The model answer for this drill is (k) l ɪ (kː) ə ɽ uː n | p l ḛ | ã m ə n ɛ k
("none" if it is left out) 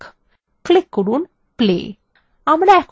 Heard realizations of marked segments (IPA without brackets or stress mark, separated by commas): k, kː